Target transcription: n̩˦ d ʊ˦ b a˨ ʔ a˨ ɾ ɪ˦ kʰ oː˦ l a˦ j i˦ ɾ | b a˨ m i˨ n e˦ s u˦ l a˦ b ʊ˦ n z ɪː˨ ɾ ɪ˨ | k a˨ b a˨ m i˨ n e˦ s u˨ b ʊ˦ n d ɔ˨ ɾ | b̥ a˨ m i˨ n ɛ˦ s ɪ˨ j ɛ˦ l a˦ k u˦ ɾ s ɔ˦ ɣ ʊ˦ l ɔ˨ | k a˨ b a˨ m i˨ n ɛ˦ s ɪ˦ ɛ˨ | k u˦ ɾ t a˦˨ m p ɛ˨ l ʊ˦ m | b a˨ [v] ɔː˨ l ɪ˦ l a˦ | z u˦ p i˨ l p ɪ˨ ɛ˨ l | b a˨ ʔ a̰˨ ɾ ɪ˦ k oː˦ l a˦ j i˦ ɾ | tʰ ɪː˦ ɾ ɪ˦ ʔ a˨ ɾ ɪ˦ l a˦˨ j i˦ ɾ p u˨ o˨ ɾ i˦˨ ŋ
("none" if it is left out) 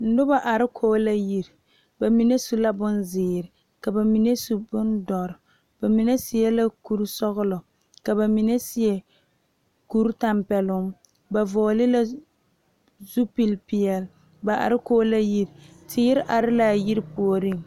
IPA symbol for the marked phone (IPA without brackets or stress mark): v